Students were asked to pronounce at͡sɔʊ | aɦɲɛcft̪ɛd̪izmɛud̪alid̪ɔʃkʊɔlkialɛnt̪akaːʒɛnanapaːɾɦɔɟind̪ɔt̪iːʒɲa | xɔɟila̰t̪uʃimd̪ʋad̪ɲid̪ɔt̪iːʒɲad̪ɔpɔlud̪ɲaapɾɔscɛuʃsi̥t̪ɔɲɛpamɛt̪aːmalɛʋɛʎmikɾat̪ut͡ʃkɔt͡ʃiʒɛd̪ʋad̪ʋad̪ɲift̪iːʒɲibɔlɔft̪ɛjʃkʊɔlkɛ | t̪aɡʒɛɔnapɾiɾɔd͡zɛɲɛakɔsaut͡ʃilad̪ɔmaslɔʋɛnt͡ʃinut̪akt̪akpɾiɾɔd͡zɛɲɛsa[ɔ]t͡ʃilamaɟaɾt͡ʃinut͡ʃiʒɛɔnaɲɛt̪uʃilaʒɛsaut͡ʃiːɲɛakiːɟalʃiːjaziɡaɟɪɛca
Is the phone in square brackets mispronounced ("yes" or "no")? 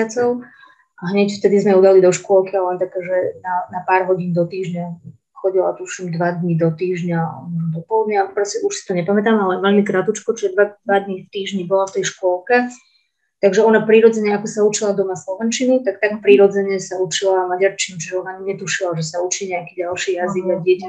yes